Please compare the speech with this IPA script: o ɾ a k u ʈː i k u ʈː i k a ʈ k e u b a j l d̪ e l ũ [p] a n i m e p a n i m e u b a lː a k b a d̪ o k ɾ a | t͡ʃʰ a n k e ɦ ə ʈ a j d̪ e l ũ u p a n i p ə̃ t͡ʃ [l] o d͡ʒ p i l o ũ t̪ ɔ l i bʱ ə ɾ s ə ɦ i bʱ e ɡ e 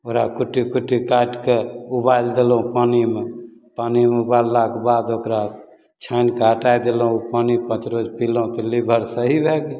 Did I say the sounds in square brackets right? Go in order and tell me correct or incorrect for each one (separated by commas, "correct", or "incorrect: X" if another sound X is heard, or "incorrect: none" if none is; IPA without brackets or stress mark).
correct, incorrect: ɾ